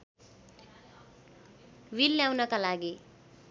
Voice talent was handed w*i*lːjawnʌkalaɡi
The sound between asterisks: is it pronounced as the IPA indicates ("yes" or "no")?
yes